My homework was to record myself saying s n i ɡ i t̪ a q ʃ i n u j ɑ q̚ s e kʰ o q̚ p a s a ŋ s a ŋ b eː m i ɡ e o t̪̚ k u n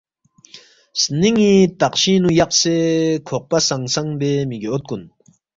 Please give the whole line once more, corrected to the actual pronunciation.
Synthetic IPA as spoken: s n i ŋ i t̪ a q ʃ i n u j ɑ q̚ s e kʰ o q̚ p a s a ŋ s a ŋ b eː m i ɡ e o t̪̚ k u n